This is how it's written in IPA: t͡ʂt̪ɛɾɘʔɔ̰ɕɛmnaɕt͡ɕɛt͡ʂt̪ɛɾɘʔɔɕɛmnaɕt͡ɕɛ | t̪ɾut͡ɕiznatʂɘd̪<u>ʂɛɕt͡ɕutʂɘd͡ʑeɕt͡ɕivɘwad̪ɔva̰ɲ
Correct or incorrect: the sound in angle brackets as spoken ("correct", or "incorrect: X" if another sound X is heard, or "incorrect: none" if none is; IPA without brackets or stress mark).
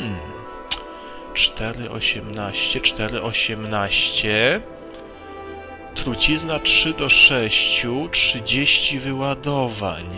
incorrect: ɔ